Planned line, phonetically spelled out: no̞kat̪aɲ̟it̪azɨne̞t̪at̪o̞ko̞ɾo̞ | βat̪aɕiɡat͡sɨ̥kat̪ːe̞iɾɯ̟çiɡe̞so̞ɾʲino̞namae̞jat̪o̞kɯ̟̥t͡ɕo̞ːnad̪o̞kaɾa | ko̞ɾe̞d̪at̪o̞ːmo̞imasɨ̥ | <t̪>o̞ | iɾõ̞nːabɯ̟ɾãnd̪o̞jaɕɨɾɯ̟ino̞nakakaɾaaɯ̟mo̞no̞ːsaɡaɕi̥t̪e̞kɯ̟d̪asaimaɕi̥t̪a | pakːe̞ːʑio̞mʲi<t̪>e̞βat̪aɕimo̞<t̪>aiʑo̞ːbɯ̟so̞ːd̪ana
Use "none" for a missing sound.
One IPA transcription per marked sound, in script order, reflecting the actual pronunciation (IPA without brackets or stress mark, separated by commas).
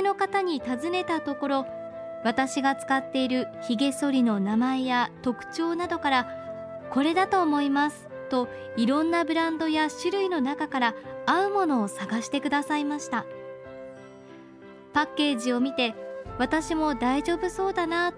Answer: t̪, t̪, d̪